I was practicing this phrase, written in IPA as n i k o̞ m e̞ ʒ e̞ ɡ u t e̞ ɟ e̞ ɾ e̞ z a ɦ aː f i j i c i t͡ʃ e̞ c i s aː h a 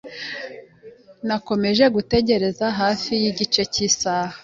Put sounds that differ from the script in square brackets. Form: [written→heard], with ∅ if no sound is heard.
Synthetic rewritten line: n [i→a] k o̞ m e̞ ʒ e̞ ɡ u t e̞ ɟ e̞ ɾ e̞ z a ɦ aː f i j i [c→ɟ] i t͡ʃ e̞ c i s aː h a